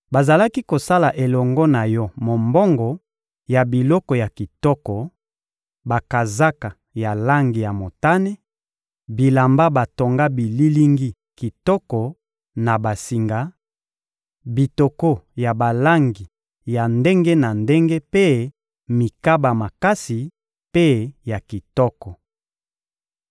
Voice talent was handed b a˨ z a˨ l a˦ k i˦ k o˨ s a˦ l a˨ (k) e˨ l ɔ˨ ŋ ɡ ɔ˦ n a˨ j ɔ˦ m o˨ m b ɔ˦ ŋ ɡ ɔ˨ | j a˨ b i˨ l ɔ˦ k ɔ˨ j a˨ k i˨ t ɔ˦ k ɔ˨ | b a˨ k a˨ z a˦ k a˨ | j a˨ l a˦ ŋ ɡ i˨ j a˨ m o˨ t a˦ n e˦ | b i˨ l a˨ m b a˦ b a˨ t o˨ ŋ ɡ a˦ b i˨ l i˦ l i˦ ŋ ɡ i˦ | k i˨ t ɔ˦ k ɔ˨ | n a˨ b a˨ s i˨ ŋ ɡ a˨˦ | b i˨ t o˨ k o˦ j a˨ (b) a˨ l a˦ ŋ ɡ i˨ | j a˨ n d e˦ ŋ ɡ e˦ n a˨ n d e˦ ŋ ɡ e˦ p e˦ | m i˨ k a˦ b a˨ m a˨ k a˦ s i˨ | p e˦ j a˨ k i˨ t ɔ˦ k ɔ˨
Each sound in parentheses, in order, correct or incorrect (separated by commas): incorrect, correct